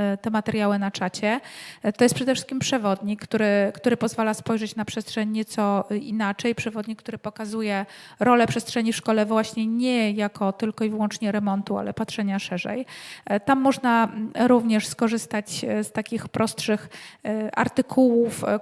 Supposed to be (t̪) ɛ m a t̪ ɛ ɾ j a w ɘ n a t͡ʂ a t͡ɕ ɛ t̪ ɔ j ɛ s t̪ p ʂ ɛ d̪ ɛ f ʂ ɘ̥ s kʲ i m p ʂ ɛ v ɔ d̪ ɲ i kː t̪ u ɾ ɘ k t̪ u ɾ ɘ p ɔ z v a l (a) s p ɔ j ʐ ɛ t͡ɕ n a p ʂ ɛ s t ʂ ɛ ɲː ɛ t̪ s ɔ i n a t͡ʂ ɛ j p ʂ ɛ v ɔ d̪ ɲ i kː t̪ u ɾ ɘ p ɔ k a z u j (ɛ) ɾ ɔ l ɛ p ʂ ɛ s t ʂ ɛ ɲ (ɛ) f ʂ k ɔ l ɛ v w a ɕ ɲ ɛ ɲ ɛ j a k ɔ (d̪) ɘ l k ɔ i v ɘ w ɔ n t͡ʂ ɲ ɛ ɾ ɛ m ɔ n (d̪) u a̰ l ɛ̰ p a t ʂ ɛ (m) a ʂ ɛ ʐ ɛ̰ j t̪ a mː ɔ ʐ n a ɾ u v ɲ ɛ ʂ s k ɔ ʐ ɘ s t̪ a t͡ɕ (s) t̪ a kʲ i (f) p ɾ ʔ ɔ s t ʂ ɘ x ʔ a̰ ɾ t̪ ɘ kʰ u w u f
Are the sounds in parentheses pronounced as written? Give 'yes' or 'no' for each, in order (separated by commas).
yes, yes, yes, no, no, no, no, yes, no